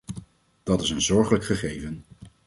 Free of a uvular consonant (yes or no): no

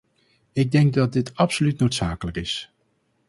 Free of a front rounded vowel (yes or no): no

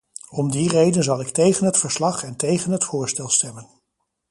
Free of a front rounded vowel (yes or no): yes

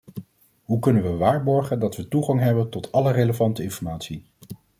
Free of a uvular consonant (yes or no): no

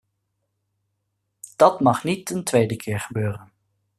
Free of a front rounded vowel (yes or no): no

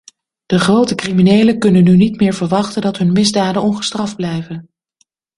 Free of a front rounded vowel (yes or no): no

